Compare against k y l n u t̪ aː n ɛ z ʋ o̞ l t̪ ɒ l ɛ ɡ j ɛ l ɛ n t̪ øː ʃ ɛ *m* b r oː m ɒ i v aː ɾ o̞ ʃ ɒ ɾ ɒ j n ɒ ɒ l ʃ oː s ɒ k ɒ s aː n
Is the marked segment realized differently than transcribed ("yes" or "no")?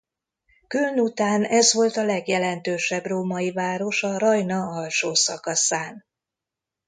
yes